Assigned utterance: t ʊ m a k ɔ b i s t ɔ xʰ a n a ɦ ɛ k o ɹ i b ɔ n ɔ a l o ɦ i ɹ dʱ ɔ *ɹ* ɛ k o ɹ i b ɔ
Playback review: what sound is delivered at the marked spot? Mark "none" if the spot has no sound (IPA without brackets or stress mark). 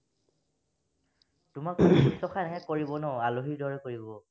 ɹ